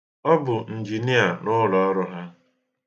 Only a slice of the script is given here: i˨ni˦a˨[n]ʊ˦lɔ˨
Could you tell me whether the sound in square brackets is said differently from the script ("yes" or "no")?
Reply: no